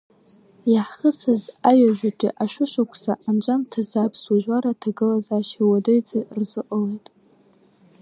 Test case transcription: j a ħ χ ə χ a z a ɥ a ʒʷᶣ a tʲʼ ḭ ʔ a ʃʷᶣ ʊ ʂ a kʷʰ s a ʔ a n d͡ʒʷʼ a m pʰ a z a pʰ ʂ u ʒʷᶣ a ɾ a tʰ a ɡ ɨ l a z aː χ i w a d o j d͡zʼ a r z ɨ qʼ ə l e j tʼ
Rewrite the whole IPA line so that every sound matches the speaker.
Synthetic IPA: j a ħ χ ə s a z a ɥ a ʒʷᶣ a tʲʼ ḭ ʔ a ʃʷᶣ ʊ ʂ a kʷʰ s a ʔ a n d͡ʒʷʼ a m tʰ a z a pʰ s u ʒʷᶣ a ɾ a tʰ a ɡ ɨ l a z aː ʃ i w a d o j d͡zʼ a r z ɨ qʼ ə l e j tʼ